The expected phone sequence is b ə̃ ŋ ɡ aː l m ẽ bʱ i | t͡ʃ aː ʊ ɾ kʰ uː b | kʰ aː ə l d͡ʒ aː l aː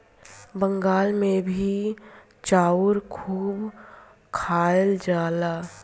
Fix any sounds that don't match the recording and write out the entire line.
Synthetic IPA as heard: b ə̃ ŋ ɡ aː l m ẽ bʱ i | t͡ʃ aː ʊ ɾ kʰ uː b | kʰ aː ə l d͡ʒ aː l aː